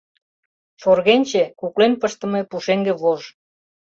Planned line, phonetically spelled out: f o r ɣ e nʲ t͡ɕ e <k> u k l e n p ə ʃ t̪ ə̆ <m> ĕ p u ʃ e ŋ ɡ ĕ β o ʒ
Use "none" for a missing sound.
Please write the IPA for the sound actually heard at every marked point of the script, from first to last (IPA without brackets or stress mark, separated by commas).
k, m